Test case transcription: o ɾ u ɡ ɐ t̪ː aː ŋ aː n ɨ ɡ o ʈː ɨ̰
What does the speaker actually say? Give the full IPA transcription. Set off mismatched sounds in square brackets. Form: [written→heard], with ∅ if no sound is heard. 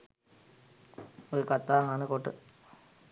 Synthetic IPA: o ɾ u [ɡ→k] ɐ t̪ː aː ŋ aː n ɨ [ɡ→k] o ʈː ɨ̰